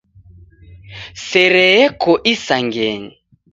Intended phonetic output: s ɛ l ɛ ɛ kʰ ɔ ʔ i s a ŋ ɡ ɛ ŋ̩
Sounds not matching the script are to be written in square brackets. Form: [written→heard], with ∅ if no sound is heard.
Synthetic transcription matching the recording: s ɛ [l→ɾ] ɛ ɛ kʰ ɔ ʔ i s a ŋ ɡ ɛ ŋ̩